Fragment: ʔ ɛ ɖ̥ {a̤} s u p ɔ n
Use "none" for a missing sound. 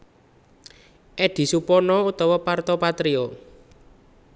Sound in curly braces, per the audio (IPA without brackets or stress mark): i̤